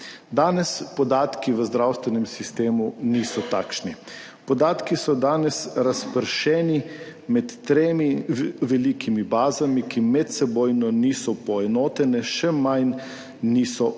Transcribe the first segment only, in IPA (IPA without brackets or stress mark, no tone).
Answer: d̪